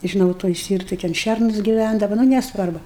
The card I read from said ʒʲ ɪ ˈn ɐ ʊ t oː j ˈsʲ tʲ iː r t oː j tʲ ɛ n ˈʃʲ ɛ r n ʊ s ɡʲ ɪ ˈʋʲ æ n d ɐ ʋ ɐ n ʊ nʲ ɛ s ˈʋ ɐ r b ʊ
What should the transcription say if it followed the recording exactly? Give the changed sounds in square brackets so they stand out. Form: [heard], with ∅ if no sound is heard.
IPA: ʒʲ ɪ ˈn ɐ ʊ t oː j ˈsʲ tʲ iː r t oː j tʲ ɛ n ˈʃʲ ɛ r n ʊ s ɡʲ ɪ ˈʋʲ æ n d ɐ ʋ ɐ n ʊ nʲ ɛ s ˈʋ ɐ r b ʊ